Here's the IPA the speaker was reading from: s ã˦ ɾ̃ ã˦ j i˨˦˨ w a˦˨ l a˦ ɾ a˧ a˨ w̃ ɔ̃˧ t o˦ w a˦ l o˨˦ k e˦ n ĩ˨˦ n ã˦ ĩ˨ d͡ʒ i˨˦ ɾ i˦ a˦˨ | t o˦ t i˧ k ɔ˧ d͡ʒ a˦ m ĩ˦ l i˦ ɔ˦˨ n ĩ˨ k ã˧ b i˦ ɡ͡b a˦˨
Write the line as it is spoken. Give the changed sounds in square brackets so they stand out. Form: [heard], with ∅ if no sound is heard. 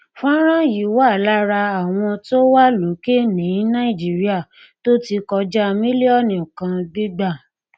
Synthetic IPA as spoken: [f] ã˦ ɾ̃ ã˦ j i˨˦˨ w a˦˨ l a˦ ɾ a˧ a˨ w̃ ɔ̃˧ t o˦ w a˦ l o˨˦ k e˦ n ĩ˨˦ n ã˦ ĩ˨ d͡ʒ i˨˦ ɾ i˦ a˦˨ | t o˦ t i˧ k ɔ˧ d͡ʒ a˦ m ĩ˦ l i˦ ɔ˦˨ n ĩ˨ k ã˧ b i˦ ɡ͡b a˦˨